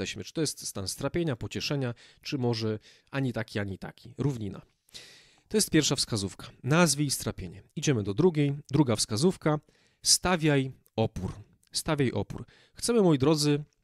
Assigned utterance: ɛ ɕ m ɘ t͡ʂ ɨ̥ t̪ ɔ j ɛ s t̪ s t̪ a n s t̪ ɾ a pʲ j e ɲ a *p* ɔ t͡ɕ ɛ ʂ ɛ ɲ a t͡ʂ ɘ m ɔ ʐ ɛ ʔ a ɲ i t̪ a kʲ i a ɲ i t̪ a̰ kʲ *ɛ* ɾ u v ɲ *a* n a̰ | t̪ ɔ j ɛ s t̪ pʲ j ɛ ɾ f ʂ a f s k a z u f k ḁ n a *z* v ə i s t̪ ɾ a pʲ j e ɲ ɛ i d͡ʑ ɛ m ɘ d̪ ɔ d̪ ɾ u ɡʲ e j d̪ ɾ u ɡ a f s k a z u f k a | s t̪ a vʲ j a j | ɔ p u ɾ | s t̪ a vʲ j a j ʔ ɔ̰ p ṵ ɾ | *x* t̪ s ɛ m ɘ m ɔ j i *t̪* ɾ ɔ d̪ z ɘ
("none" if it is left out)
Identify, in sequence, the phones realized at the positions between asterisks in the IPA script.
p, i, i, z, x, d̪

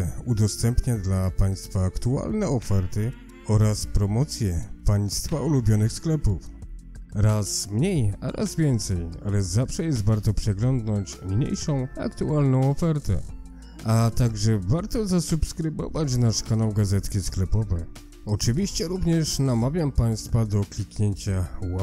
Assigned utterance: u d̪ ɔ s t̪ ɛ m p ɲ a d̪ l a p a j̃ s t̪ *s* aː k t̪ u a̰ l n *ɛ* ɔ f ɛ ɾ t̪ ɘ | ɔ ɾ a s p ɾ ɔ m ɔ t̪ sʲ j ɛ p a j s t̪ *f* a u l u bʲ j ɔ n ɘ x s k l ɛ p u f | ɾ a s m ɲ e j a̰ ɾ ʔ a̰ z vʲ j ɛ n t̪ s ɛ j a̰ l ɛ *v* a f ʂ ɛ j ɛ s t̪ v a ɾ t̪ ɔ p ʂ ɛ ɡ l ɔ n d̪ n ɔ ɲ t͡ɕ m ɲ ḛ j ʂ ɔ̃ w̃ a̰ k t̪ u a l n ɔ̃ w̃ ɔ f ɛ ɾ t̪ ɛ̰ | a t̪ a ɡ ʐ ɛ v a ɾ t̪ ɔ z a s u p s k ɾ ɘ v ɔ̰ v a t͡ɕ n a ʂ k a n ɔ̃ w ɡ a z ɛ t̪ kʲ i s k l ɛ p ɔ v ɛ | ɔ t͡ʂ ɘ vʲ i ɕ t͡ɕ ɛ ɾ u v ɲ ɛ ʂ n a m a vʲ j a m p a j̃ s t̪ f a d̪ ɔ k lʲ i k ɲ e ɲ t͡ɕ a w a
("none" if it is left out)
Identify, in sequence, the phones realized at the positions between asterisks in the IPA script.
f, ɛ, f, z

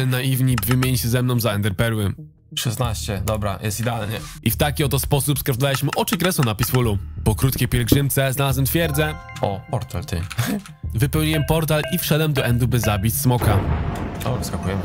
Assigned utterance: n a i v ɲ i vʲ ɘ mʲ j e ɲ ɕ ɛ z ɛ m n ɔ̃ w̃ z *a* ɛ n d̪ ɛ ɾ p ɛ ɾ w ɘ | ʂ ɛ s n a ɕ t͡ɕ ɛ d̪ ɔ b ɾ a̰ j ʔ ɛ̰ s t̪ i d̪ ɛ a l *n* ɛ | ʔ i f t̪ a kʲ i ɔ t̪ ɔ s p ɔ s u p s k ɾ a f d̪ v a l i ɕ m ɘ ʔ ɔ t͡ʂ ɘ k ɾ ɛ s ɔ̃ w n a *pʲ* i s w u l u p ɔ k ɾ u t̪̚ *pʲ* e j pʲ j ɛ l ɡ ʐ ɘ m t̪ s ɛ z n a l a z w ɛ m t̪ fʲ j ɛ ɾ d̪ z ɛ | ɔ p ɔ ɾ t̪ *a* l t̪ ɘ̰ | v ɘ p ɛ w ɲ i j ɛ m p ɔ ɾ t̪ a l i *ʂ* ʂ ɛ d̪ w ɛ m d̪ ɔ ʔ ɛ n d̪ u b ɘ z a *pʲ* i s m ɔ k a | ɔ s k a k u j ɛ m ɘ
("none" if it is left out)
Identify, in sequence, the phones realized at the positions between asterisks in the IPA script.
a, ɲ, pʲ, kʲ, a, f, bʲ

